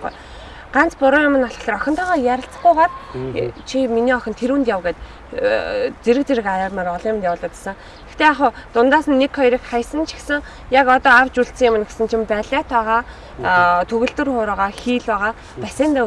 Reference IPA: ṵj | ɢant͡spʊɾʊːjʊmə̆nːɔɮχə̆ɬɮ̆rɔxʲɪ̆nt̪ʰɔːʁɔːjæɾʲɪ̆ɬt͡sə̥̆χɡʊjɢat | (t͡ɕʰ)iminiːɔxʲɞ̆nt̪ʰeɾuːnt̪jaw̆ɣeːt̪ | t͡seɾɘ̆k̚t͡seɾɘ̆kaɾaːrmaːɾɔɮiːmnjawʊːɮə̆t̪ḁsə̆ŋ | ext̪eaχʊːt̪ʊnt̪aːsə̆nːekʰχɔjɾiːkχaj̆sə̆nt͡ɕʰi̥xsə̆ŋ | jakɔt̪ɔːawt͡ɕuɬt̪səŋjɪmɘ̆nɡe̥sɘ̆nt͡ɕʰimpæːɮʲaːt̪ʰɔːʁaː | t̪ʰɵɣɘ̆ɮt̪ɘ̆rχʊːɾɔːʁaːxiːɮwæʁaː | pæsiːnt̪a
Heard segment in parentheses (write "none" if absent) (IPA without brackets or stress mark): t͡ɕʰ